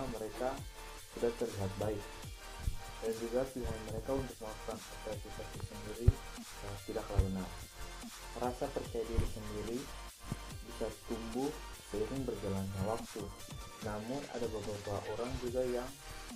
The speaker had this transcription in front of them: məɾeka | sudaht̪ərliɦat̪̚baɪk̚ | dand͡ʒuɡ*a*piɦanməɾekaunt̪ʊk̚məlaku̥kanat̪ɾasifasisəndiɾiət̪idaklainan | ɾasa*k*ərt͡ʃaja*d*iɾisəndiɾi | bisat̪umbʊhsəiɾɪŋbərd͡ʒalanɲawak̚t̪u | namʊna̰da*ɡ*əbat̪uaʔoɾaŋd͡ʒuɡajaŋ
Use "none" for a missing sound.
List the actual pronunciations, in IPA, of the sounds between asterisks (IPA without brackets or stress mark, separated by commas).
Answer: a, p, d, b